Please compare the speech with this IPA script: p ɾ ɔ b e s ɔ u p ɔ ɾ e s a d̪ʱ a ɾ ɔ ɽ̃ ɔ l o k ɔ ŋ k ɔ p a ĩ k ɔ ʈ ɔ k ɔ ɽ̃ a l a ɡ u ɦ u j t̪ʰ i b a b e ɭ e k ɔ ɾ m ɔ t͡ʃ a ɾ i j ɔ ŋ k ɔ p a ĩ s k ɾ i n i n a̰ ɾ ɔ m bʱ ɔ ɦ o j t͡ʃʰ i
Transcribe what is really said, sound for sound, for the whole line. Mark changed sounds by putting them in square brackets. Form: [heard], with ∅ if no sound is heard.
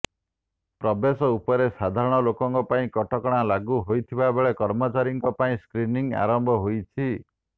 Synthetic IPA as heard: p ɾ ɔ b e s ɔ u p ɔ ɾ e s a d̪ʱ a ɾ ɔ ɽ̃ ɔ l o k ɔ ŋ k ɔ p a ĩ k ɔ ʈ ɔ k ɔ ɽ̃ a l a ɡ u ɦ [o] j t̪ʰ i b a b e ɭ e k ɔ ɾ m ɔ t͡ʃ a ɾ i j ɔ ŋ k ɔ p a ĩ s k ɾ i n i [ŋ] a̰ ɾ ɔ m bʱ ɔ ɦ o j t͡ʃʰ i